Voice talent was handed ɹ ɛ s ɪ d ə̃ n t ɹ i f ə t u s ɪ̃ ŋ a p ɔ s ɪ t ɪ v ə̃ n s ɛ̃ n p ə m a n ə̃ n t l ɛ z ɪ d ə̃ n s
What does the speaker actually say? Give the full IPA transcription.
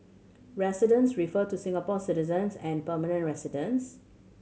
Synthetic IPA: ɹ ɛ s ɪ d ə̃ n s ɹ i f ə t u s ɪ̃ ŋ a p ɔ s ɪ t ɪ z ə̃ n s ɛ̃ n p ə m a n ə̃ n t ɹ ɛ s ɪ d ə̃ n s